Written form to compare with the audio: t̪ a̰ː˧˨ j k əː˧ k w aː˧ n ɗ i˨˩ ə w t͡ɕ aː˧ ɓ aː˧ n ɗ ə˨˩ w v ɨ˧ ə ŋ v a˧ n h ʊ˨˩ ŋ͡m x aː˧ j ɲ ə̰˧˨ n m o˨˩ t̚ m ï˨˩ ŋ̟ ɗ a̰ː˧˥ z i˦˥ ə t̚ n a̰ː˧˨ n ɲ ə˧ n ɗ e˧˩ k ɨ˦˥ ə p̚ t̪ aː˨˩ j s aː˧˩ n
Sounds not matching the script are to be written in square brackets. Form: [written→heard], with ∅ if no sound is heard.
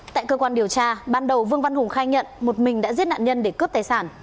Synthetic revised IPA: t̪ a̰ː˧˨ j k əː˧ k w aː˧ n ɗ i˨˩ ə w t͡ɕ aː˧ ɓ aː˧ n ɗ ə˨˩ w v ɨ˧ ə ŋ v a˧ n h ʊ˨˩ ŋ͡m x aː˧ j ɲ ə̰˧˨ n m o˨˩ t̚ m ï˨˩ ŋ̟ ɗ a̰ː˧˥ z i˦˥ ə t̚ n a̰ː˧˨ n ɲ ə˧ n ɗ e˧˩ k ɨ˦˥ ə p̚ t̪ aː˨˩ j s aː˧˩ n